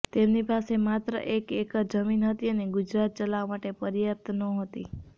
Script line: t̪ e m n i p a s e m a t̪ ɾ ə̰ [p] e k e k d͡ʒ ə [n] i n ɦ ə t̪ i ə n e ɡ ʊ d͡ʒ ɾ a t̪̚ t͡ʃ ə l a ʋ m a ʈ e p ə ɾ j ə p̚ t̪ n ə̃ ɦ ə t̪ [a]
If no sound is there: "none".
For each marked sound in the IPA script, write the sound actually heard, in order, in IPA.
ʔ, m, i

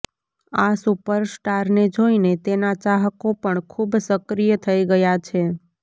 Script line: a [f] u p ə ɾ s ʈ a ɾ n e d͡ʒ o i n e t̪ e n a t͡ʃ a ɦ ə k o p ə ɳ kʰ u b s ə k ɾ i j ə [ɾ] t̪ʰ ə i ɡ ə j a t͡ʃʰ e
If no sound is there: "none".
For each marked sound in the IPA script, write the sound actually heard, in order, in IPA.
s, none

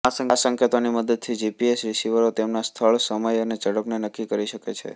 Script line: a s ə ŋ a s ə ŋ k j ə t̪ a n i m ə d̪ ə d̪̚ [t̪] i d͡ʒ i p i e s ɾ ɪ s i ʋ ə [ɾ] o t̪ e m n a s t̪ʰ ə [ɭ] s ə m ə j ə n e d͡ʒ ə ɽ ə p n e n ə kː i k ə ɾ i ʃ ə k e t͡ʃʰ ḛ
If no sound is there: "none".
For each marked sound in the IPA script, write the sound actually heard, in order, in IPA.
t̪ʰ, ɾ, ɭ

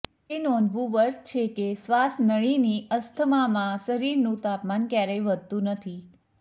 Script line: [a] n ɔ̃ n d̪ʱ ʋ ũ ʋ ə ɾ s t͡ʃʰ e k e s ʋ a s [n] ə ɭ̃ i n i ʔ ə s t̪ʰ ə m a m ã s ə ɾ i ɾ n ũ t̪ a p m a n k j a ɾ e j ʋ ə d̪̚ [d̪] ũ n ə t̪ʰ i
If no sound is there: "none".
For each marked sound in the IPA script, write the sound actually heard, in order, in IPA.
e, n, t̪

